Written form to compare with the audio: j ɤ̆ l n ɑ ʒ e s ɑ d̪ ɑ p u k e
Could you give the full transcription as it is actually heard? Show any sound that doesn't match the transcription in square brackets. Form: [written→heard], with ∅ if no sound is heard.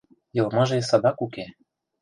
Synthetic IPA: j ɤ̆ l [n→m] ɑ ʒ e s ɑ d̪ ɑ [p→k] u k e